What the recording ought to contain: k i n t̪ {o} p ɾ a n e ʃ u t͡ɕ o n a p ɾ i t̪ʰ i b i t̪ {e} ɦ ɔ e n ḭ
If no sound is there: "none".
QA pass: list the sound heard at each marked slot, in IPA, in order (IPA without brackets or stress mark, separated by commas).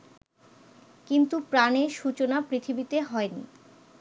u, e